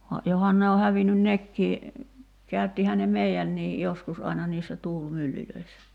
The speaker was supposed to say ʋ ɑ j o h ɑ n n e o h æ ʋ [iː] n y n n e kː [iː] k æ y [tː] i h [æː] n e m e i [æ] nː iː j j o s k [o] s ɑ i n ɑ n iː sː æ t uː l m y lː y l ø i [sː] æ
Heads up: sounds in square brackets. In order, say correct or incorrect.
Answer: incorrect, correct, correct, incorrect, correct, incorrect, correct

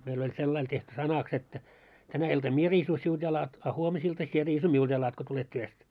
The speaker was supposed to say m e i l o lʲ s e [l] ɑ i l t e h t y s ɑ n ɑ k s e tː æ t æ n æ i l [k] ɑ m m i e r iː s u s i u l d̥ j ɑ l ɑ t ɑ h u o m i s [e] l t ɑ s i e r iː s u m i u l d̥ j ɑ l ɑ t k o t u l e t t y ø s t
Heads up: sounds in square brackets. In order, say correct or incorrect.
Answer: incorrect, incorrect, incorrect

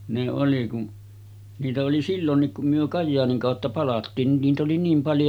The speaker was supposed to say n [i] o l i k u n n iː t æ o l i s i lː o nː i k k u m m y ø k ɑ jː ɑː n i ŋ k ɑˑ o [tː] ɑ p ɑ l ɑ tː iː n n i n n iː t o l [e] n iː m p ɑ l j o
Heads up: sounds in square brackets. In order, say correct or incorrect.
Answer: incorrect, correct, incorrect

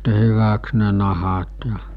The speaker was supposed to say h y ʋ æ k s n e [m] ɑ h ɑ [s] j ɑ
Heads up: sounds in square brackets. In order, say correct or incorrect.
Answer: incorrect, incorrect

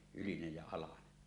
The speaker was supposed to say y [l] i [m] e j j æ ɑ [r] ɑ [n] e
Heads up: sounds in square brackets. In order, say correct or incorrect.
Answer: correct, incorrect, incorrect, correct

